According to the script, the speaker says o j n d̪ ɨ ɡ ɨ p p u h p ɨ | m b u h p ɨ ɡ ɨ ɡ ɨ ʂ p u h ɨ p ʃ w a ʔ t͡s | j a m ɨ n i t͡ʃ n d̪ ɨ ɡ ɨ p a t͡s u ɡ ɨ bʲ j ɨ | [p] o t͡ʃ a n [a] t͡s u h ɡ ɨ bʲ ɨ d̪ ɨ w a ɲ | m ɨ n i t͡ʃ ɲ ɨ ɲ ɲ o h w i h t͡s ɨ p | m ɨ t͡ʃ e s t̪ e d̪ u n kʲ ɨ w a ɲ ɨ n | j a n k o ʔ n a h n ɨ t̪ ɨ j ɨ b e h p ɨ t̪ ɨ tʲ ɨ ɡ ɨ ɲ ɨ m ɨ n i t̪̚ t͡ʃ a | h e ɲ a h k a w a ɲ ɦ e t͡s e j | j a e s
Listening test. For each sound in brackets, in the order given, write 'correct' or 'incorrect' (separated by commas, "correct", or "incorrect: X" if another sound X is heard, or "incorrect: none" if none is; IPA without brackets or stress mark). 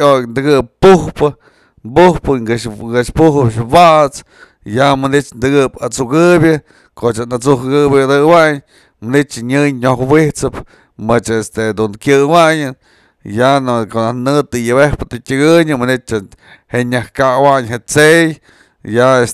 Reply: incorrect: k, correct